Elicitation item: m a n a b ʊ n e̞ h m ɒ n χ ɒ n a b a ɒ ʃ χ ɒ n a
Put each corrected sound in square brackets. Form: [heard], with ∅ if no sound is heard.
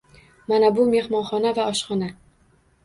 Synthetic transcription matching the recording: m a n a b ʊ [m] e̞ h m ɒ n χ ɒ n a [v] a ɒ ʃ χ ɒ n a